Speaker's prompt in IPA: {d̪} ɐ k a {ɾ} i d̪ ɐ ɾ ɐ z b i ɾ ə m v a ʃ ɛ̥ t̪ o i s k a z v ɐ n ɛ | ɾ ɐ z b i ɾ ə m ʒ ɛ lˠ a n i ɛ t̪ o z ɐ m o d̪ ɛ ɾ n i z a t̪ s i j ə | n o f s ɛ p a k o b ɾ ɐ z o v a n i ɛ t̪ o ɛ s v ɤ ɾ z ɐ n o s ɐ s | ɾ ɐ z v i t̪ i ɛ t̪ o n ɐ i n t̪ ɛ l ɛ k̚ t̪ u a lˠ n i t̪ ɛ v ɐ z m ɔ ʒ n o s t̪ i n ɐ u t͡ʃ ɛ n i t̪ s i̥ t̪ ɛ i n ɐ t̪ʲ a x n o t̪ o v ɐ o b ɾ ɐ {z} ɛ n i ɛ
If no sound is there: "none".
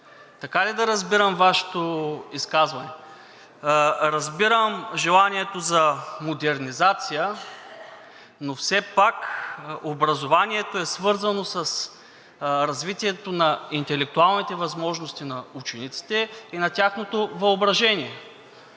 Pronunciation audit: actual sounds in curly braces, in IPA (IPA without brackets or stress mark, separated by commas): t̪, l, ʒ